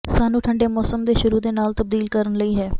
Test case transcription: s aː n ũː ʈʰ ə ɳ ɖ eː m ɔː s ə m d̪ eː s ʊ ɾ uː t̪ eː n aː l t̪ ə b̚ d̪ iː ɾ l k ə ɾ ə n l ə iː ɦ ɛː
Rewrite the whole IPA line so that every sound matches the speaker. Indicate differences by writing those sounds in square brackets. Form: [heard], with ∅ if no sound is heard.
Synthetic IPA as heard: s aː n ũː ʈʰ ə ɳ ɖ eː m ɔː s ə m d̪ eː [ʃ] ʊ ɾ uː [d̪] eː n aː l t̪ ə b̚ d̪ iː [∅] l k ə ɾ ə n l ə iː ɦ ɛː